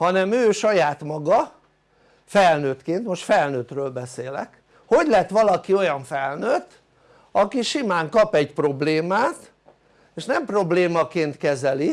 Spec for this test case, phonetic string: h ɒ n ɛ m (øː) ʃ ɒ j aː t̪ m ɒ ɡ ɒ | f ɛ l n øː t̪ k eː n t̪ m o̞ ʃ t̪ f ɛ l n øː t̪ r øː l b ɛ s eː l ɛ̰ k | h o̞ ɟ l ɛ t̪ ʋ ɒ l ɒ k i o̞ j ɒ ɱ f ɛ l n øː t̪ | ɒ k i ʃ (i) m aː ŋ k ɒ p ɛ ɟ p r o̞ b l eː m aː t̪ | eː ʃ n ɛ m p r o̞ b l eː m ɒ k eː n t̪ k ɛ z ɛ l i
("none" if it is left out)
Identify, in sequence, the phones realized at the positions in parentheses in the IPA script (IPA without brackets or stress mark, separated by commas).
øː, i